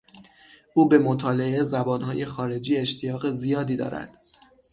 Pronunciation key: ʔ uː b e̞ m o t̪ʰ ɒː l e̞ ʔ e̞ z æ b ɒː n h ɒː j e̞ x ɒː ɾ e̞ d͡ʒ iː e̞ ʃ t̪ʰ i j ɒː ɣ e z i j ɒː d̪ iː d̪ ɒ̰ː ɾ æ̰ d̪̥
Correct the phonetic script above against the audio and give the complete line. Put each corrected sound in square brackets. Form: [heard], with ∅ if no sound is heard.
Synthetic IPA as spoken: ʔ uː b e̞ m o t̪ʰ ɒː l e̞ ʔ e̞ z æ b ɒː n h ɒː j e̞ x ɒː ɾ e̞ d͡ʒ iː e̞ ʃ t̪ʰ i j ɒː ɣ e z i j ɒː d̪ iː d̪ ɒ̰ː ɾ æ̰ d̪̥